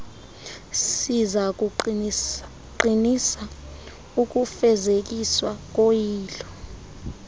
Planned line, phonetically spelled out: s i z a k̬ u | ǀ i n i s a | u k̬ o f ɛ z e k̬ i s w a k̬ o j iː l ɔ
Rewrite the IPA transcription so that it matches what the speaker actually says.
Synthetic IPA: s i z a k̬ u | ǃ i n i s a | u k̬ u f ɛ z e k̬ i s w a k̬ o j iː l ɔ